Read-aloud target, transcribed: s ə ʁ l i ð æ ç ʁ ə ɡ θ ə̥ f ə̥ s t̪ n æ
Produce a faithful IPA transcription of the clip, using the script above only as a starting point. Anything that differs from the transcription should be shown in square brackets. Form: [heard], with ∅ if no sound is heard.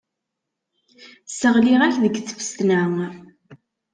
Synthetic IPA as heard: s ə ʁ l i [ʁ] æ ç [ð] ə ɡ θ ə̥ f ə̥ s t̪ n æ